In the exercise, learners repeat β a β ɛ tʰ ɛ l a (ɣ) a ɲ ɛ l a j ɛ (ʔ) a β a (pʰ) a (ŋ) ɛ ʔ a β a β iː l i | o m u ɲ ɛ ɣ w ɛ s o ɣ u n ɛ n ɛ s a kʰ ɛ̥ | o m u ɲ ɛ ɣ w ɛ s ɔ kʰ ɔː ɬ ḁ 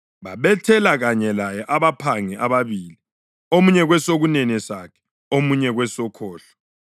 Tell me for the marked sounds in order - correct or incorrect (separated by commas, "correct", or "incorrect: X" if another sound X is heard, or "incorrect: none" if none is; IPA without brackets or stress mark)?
correct, correct, correct, correct